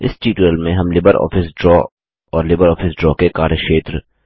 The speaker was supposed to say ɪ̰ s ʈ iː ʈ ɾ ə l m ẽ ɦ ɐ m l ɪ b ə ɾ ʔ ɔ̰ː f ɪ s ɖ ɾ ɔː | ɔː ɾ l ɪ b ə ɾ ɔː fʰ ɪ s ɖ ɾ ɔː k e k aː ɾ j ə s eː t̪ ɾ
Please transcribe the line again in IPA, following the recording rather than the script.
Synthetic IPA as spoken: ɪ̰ s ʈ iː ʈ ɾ ə l m ẽ ɦ ɐ m l ɪ b ə ɾ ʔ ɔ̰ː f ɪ s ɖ ɾ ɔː | ɔː ɾ l ɪ b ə ɾ ɔː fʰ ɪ s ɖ ɾ ɔː k e k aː ɾ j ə ʃ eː t̪ ɾ

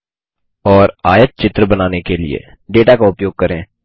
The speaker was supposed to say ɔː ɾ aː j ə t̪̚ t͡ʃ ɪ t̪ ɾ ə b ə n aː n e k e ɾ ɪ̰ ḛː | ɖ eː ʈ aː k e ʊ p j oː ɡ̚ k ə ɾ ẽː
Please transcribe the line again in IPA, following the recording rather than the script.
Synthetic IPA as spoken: ɔː ɾ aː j ə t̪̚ t͡ʃ ɪ t̪ ɾ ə b ə n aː n e k e l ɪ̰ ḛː | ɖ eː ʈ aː k a ʊ p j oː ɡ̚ k ə ɾ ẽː

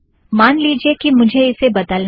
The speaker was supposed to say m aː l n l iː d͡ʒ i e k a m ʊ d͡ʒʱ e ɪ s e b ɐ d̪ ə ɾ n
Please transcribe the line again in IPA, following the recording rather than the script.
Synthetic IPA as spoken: m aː n l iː d͡ʒ i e k i m ʊ d͡ʒʱ e ɪ s e b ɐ d̪ ə l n

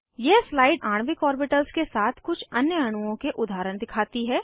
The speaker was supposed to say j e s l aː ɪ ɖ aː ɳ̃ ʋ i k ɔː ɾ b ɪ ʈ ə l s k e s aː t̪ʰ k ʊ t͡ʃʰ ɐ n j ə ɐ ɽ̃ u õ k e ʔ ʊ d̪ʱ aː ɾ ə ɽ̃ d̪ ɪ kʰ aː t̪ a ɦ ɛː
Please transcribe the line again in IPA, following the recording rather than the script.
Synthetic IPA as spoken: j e s l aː ɪ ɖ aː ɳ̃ ʋ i k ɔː ɾ b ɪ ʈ ə l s k e s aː t̪ʰ k ʊ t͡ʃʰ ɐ n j ə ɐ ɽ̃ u õ k e ʔ ʊ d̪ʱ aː ɾ ə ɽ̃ d̪ ɪ kʰ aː t̪ i ɦ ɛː

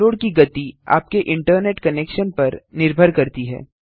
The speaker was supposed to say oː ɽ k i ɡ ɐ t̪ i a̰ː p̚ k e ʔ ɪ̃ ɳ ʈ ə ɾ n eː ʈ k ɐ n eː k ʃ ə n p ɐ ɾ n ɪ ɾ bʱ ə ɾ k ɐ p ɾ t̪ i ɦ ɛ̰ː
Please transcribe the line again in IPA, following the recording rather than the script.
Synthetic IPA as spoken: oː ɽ k i ɡ ɐ t̪ i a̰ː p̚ k e ʔ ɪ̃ ɳ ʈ ə ɾ n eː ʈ k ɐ n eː k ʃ ə n p ɐ ɾ n ɪ ɾ bʱ ə ɾ k ɐ ɾ t̪ i ɦ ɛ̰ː

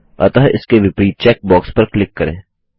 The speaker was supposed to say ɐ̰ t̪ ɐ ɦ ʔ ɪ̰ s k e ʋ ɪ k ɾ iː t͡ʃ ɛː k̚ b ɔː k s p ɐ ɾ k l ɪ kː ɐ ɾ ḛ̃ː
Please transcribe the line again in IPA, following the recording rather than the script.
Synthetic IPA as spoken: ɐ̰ t̪ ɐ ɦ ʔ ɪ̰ s k e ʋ ɪ p ɾ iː t͡ʃ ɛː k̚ b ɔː k s p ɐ ɾ k l ɪ kː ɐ ɾ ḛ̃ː

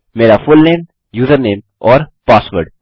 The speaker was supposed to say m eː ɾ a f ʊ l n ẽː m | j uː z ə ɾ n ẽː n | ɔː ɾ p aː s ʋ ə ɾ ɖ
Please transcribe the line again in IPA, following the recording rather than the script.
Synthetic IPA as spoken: m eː ɾ a f ʊ l n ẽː m | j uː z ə ɾ n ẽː m | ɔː ɾ p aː s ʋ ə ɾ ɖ

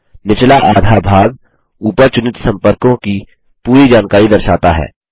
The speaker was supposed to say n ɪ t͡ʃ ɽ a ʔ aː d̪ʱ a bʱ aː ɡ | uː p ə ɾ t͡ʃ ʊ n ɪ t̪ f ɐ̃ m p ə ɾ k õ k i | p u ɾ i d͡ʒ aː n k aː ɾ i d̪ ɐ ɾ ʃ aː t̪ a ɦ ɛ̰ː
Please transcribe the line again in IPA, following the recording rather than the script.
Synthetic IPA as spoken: n ɪ t͡ʃ l a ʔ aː d̪ʱ a bʱ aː ɡ | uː p ə ɾ t͡ʃ ʊ n ɪ t̪ s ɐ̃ m p ə ɾ k õ k i | p uː ɾ i d͡ʒ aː n k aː ɾ i d̪ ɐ ɾ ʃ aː t̪ a ɦ ɛ̰ː

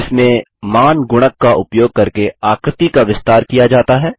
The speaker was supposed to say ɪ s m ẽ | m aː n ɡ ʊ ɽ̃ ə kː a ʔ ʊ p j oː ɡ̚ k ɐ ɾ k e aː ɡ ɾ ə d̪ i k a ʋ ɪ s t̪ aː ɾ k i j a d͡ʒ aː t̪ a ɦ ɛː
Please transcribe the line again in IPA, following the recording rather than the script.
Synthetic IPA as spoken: ɪ s m ẽ | m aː n ɡ ʊ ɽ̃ ə kː a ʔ ʊ p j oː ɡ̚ k ɐ ɾ k e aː k ɾ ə t̪ i k a ʋ ɪ s t̪ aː ɾ k i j a d͡ʒ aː t̪ a ɦ ɛː

